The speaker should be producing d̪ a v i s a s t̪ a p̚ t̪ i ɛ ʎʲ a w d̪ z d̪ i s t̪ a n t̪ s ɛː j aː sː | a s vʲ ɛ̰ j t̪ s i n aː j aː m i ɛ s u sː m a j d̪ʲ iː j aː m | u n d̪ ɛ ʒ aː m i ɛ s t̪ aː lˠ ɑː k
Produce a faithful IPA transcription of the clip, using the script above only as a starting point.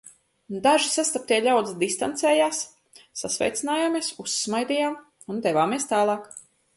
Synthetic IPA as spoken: d̪ a ʒ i s a s t̪ a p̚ t̪ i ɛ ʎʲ a w d̪ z d̪ i s t̪ a n t̪ s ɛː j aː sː | a s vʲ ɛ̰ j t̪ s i n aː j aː m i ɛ s u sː m a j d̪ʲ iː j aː m | u n d̪ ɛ v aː m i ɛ s t̪ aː lˠ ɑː k